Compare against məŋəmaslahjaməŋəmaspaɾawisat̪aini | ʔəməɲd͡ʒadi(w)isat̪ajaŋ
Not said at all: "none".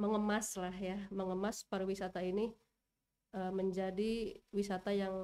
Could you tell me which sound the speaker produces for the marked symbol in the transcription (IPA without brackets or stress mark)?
w